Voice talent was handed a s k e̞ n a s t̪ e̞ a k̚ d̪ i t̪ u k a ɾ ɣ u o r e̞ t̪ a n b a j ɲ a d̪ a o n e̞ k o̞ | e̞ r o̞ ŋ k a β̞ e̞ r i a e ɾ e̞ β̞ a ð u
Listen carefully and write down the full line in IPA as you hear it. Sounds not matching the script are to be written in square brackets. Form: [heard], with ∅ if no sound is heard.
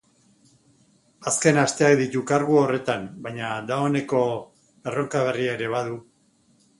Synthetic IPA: a s k e̞ n a s t̪ e̞ a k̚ d̪ i t̪ u k a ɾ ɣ u o r e̞ t̪ a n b a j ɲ a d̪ a o n e̞ k o̞ | e̞ r o̞ ŋ k a β̞ e̞ r i a e ɾ e̞ β̞ a ð u